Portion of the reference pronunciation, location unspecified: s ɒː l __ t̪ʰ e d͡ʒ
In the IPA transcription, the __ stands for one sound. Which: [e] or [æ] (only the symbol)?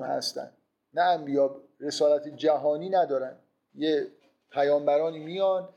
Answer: æ